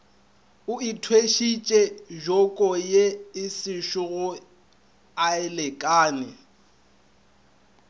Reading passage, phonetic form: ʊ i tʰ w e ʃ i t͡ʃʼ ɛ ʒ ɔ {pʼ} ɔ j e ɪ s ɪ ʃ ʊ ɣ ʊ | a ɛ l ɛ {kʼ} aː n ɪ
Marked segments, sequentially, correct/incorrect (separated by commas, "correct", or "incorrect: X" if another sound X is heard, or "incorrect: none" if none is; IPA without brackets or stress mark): incorrect: kʼ, correct